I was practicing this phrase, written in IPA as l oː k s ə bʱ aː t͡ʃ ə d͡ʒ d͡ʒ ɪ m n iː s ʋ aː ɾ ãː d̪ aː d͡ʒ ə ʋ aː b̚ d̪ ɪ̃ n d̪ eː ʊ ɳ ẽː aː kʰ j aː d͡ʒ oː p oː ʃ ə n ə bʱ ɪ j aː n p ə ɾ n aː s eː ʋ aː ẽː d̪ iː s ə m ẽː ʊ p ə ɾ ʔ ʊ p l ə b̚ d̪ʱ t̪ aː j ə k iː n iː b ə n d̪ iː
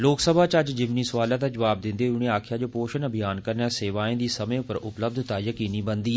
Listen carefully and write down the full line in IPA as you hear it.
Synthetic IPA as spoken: l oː k s ə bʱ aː t͡ʃ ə d͡ʒ d͡ʒ ɪ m n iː s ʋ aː l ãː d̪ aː d͡ʒ ə ʋ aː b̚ d̪ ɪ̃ n d̪ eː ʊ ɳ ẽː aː kʰ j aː d͡ʒ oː p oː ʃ ə n ə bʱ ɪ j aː n k ə ɾ n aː s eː ʋ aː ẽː d̪ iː s ə m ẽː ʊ p ə ɾ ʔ ʊ p l ə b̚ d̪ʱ t̪ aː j ə k iː n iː b ə n d̪ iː